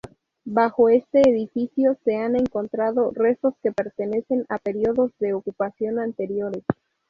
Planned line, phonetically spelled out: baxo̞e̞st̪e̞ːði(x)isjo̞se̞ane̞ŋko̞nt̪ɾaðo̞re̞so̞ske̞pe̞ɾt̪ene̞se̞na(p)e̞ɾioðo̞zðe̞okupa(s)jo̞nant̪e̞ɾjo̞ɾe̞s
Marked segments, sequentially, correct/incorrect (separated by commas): incorrect, correct, correct